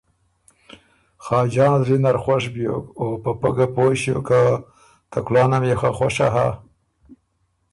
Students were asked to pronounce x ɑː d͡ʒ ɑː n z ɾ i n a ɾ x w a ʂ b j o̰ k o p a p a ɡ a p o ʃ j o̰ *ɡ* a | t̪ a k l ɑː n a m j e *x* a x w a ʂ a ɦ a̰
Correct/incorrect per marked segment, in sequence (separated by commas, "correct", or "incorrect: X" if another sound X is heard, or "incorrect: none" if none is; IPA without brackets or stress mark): incorrect: k, correct